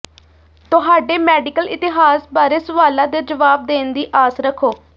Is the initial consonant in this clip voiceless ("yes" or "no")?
yes